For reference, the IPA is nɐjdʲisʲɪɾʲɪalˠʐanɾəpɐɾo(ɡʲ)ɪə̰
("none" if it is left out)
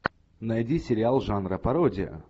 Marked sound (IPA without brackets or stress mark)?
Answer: dʲ